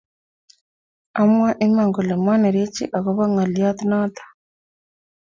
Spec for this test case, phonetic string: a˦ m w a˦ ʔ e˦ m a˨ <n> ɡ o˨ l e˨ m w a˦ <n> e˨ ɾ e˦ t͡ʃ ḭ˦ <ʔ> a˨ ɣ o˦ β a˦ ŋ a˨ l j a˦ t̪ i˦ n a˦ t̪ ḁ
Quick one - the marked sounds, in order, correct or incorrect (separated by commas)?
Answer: incorrect, correct, correct